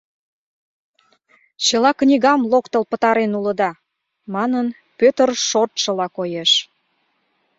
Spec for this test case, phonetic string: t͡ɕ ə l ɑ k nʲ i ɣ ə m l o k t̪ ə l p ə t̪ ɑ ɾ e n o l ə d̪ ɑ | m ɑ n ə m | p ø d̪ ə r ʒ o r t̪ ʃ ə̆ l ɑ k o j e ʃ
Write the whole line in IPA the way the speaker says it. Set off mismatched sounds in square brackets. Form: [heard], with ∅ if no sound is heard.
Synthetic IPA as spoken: t͡ɕ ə l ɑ k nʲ i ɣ [ɑ] m l o k t̪ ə l p ə t̪ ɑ ɾ e n [u] l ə d̪ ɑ | m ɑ n ə [n] | p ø [t̪] ə r [ʃ] o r t̪ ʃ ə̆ l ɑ k o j e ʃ